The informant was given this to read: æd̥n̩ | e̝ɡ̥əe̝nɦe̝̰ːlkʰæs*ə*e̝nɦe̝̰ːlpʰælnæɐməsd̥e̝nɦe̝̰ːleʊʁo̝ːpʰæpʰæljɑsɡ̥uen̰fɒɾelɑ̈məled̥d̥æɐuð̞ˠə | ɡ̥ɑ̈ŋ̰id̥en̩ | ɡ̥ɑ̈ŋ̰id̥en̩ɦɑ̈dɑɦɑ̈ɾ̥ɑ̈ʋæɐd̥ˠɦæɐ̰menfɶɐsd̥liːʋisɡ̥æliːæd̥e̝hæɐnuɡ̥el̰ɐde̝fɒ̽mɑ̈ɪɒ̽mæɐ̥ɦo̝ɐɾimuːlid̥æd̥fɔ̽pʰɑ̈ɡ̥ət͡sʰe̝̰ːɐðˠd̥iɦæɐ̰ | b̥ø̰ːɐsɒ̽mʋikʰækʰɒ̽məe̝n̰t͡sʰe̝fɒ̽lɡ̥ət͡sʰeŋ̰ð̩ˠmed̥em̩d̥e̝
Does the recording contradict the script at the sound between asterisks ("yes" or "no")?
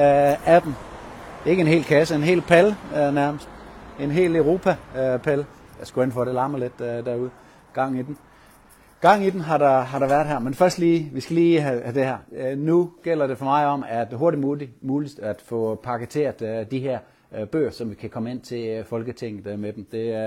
no